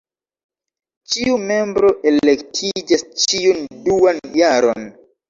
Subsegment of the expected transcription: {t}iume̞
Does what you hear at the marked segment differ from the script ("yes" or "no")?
yes